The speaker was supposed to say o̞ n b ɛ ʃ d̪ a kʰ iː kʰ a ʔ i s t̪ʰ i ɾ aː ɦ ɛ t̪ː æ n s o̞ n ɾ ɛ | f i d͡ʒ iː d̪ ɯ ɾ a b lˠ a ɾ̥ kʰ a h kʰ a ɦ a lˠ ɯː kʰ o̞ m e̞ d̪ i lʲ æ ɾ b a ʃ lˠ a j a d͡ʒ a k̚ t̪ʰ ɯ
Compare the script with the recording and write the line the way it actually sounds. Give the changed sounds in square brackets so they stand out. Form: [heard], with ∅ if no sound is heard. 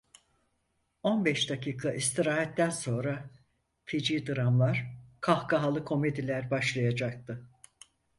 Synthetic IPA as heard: o̞ n b ɛ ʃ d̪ a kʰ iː kʰ a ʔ i s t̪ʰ i ɾ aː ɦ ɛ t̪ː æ n s o̞ n ɾ [a] | f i d͡ʒ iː d̪ ɯ ɾ a [m] lˠ a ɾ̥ kʰ a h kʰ a ɦ a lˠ [ɯ] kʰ o̞ m e̞ d̪ i lʲ æ ɾ b a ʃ lˠ a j a d͡ʒ a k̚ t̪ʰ ɯ